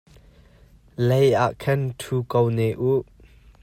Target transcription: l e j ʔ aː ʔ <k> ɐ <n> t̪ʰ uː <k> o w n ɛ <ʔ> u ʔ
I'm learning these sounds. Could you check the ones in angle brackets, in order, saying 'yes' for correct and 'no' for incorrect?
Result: no, yes, yes, yes

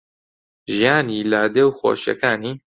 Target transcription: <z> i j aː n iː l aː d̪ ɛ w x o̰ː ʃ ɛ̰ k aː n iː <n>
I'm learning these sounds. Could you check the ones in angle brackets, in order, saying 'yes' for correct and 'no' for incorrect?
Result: no, no

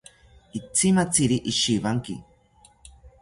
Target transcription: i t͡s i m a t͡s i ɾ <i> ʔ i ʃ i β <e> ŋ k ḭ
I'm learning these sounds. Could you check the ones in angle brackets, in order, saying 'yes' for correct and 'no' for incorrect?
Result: yes, no

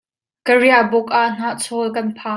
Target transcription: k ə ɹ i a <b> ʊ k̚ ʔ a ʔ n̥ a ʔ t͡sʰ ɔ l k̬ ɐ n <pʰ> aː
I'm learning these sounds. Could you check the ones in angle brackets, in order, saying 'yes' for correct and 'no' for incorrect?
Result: yes, yes

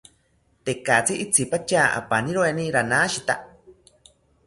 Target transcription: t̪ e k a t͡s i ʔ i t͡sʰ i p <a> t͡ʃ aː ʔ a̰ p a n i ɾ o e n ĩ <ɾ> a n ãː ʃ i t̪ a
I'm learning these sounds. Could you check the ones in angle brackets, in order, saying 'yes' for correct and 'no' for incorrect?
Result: yes, yes

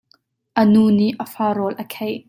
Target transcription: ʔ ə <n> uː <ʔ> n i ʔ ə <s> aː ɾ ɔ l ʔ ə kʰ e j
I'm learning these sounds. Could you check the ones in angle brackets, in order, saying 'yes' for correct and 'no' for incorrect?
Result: yes, no, no

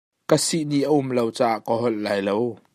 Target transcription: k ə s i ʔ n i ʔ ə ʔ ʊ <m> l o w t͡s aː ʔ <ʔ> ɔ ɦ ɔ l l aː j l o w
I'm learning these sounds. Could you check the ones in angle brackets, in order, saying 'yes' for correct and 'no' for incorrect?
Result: yes, no

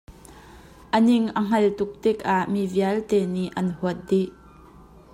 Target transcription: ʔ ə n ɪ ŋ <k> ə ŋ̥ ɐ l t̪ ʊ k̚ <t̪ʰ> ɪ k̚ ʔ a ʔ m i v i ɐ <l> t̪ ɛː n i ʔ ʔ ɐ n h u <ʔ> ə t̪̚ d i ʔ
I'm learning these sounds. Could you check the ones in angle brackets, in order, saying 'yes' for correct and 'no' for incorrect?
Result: no, no, yes, no

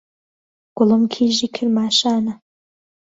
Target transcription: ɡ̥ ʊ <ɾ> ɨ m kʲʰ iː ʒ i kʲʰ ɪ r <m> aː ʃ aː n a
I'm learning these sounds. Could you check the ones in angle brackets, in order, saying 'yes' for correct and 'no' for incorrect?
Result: no, yes

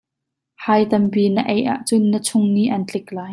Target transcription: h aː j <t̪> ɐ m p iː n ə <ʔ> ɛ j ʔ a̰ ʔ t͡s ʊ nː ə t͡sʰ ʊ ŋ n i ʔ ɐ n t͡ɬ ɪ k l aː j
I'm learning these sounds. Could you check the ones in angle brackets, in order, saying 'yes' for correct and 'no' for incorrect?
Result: yes, yes

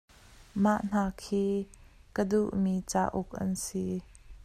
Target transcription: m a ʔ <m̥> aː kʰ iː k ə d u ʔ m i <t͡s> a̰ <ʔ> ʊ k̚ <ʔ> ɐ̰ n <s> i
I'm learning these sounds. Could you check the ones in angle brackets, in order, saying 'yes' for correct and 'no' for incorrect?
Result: no, yes, yes, yes, yes

